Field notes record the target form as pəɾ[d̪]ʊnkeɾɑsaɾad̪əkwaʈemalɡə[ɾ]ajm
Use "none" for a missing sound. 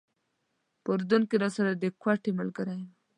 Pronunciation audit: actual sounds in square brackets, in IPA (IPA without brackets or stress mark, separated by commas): d̪, ɾ